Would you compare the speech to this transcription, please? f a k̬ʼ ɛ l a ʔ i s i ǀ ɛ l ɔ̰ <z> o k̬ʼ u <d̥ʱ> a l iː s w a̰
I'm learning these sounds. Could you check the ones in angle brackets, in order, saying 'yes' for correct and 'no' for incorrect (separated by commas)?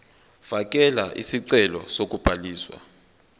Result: no, no